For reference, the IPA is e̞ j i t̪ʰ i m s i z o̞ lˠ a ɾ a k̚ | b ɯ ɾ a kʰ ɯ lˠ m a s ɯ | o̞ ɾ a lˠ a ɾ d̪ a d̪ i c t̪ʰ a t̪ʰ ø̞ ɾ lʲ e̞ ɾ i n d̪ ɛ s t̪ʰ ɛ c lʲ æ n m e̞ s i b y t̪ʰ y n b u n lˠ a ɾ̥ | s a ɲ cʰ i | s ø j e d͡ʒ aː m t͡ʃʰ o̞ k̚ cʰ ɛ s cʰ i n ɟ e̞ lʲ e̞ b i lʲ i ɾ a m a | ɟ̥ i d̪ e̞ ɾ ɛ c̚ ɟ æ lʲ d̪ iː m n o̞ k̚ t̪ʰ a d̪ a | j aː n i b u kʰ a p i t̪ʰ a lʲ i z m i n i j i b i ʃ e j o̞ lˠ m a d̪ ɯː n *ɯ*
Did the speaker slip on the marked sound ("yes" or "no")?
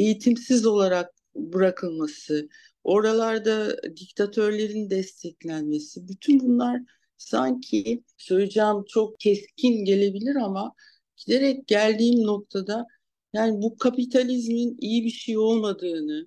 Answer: no